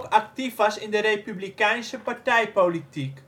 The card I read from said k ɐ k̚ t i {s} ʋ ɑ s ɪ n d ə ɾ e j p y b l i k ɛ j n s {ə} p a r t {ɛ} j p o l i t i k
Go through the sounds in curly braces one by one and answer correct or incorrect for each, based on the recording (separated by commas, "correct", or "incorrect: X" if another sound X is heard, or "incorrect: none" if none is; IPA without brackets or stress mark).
incorrect: f, correct, correct